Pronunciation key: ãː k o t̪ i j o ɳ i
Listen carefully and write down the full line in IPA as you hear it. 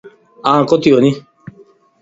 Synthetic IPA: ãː k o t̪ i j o n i